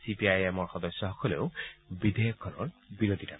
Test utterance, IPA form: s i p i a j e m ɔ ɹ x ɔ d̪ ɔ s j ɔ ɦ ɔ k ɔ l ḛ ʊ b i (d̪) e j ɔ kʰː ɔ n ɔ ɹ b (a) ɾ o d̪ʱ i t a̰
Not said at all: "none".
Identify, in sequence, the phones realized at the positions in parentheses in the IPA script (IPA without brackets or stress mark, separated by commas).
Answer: d̪, i